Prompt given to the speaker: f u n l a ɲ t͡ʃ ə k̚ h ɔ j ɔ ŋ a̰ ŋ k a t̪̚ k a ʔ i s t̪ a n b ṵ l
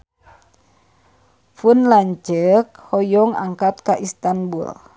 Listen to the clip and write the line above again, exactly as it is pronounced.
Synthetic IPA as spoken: f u n l a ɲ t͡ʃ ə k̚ h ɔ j ɔ ŋ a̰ ŋ k a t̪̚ k a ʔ i s t̪ a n b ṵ l